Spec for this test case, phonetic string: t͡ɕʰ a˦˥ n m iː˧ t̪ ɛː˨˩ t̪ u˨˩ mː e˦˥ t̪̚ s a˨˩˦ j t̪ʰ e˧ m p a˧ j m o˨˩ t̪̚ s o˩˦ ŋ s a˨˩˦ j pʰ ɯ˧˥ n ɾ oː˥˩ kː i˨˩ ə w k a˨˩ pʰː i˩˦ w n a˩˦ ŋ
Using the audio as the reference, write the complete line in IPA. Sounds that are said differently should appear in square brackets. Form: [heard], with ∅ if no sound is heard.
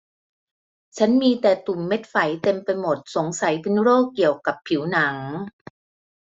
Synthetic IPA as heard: t͡ɕʰ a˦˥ n m iː˧ t̪ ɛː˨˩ t̪ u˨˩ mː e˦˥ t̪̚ [f] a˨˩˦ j [t̪] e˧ m p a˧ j m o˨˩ t̪̚ s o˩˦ ŋ s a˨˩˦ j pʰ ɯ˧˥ n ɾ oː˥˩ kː i˨˩ ə w k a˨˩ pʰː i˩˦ w n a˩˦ ŋ